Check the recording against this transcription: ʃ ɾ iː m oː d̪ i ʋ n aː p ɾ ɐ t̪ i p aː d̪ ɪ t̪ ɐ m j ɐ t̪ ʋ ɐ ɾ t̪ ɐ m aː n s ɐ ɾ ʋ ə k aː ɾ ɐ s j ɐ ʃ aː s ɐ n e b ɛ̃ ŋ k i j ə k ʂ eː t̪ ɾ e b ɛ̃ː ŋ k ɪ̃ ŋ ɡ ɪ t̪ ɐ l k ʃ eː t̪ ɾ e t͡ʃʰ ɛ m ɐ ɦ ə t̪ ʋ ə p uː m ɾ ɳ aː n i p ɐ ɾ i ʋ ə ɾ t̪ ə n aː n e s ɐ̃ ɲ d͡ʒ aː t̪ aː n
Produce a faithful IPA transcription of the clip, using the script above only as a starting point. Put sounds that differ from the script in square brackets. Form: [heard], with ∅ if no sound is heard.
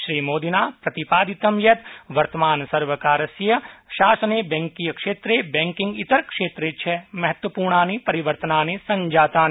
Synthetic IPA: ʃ ɾ iː m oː d̪ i [∅] n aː p ɾ ɐ t̪ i p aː d̪ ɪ t̪ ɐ m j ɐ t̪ ʋ ɐ ɾ t̪ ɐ m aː n s ɐ ɾ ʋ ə k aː ɾ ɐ s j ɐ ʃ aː s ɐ n e b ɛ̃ ŋ k i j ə k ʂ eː t̪ ɾ e b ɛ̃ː ŋ k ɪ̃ ŋ ɡ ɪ t̪ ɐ [ɾ] k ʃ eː t̪ ɾ e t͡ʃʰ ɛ m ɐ ɦ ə t̪ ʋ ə p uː [∅] ɾ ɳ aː n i p ɐ ɾ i ʋ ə ɾ t̪ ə n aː n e s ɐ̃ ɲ d͡ʒ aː t̪ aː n